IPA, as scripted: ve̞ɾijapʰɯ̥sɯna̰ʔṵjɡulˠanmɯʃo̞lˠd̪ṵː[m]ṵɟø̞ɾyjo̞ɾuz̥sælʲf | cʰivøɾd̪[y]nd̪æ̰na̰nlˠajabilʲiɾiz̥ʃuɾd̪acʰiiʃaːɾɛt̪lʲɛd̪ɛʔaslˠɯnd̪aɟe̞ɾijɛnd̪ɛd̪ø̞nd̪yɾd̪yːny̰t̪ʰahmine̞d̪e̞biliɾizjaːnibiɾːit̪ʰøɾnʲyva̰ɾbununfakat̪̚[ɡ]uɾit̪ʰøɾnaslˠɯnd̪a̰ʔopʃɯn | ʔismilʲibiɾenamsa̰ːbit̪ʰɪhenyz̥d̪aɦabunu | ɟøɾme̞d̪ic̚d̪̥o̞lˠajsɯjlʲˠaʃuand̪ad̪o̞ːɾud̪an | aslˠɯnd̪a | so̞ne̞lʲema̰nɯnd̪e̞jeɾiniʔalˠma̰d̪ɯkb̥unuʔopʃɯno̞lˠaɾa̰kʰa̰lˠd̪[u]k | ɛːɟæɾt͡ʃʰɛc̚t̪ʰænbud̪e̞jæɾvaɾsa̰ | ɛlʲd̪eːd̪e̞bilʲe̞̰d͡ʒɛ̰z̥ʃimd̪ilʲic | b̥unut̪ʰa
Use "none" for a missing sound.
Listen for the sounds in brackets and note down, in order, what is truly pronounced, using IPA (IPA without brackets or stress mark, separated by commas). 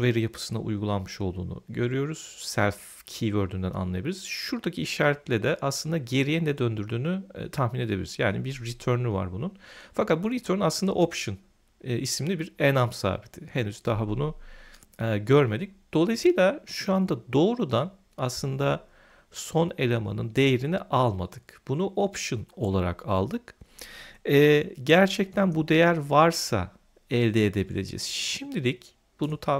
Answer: n, y, b, ɯ